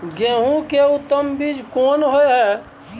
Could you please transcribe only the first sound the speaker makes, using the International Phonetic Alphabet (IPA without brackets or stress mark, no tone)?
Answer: ɡ